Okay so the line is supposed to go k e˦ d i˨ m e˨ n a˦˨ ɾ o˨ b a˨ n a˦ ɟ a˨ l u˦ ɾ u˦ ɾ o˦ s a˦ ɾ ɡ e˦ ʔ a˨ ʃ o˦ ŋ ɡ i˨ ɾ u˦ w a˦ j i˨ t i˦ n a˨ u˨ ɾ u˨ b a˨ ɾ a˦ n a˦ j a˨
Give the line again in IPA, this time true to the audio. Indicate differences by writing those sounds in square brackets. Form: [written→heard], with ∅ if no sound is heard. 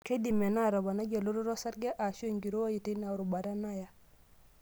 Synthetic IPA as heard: k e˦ d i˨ m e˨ n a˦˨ ɾ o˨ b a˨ n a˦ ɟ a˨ l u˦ ɾ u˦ ɾ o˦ s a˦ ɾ ɡ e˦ ʔ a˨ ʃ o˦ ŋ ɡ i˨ ɾ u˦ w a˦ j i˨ t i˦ n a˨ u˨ ɾ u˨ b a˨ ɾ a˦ n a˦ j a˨